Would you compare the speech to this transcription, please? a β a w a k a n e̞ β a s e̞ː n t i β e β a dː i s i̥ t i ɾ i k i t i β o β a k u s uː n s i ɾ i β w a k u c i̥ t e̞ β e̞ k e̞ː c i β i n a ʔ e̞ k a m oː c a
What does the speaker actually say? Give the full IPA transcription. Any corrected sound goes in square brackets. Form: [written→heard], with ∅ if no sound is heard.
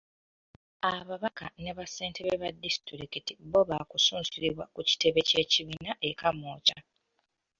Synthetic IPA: a β a [w→β] a k a n e̞ β a s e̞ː n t [i→e] β e β a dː i s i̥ t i ɾ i k i t i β o β a k u s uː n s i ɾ i β w a k u c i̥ t e̞ β e̞ [k→c] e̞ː c i β i n a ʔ e̞ k a m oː c a